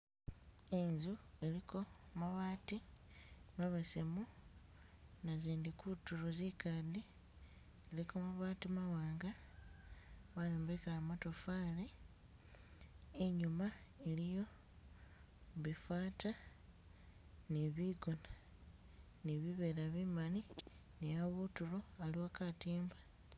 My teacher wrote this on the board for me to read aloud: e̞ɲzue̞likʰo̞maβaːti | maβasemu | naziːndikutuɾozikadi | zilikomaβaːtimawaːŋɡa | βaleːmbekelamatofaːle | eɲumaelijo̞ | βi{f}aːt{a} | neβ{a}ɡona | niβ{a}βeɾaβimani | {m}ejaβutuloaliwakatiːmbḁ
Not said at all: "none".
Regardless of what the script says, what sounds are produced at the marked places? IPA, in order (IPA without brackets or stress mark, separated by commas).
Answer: f, a, i, i, n